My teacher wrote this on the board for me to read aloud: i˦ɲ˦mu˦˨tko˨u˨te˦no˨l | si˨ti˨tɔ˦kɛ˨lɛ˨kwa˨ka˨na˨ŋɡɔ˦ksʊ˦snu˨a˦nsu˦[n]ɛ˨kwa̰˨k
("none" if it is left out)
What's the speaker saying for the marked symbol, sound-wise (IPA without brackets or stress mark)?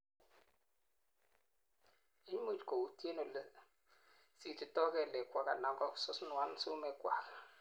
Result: m